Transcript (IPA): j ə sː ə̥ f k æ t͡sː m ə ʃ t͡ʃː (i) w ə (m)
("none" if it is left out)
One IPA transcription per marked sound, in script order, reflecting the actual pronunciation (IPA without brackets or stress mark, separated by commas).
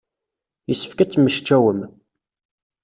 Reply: æ, m